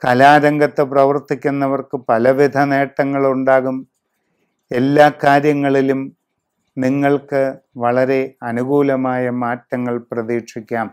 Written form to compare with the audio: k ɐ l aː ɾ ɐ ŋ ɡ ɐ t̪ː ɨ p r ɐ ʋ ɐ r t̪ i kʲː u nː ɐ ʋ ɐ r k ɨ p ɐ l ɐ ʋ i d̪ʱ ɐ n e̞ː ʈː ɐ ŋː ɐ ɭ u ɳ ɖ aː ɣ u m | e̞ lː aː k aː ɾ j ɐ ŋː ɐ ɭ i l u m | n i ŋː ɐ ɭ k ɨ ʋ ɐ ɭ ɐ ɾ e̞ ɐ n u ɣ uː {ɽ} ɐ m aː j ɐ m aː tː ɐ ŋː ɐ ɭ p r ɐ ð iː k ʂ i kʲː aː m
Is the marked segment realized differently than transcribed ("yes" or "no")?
yes